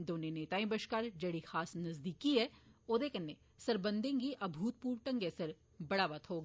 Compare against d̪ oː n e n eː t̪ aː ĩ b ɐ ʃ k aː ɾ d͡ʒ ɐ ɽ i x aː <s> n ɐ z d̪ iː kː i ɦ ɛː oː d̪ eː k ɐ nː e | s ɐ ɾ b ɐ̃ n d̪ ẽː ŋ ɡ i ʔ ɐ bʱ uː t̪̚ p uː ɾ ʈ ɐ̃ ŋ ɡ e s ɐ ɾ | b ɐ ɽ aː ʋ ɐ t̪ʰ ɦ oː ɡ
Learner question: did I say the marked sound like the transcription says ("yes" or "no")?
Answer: yes